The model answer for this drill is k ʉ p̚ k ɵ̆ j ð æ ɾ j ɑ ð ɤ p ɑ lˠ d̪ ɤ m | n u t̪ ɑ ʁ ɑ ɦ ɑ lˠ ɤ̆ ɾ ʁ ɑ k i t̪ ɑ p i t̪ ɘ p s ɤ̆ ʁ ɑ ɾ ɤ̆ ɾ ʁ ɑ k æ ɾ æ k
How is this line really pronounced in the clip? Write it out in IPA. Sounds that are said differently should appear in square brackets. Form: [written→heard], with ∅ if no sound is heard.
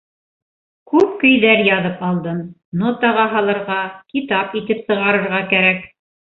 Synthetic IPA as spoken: k ʉ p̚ k ɵ̆ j ð æ ɾ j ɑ ð ɤ p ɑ lˠ d̪ ɤ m | n [u→o] t̪ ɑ ʁ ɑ ɦ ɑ lˠ ɤ̆ ɾ ʁ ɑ k i t̪ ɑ p i t̪ ɘ p s ɤ̆ ʁ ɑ ɾ ɤ̆ ɾ ʁ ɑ k æ ɾ æ k